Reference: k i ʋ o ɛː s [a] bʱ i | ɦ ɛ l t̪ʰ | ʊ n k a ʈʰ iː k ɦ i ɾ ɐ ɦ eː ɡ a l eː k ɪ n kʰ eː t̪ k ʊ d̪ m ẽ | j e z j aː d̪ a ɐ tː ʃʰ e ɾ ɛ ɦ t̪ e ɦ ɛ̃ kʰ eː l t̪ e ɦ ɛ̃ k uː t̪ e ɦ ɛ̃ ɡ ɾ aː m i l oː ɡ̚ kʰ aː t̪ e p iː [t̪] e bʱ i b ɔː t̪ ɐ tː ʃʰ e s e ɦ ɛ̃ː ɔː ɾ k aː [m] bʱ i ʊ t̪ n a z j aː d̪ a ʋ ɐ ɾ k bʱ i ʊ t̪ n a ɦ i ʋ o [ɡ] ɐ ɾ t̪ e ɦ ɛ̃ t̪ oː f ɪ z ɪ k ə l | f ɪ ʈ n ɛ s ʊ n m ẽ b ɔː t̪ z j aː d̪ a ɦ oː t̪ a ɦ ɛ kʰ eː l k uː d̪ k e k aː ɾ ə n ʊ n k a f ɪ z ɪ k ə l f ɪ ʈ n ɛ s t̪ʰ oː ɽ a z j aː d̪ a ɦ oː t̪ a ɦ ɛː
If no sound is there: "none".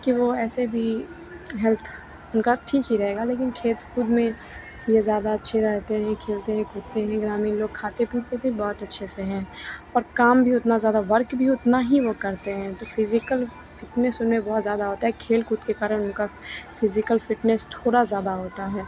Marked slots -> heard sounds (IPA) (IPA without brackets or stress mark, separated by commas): e, t̪, m, k